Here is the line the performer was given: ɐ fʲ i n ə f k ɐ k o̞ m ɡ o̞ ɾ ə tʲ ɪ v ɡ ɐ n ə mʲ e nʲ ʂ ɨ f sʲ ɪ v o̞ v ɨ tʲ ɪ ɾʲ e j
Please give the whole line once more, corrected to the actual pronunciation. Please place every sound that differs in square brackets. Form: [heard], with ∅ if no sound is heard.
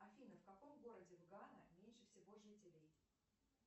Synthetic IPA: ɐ fʲ i n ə f k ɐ k o̞ m ɡ o̞ ɾ ə [dʲ] ɪ v ɡ [a] n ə mʲ e nʲ ʂ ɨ f sʲ ɪ v o̞ [ʐ] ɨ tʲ ɪ [lʲ] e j